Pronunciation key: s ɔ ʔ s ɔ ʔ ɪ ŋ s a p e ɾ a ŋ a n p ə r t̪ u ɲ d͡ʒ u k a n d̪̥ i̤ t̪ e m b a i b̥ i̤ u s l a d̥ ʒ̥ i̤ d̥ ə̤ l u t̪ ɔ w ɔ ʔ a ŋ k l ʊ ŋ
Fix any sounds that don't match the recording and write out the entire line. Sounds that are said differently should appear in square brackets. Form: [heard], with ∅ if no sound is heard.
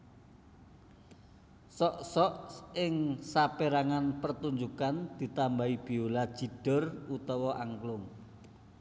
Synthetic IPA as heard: s ɔ ʔ s ɔ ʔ ɪ ŋ s a p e ɾ a ŋ a n p ə r t̪ u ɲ d͡ʒ u k a n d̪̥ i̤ t̪ [a] m b a i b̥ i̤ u [∅] l a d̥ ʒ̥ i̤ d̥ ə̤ [r] u t̪ ɔ w ɔ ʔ a ŋ k l ʊ ŋ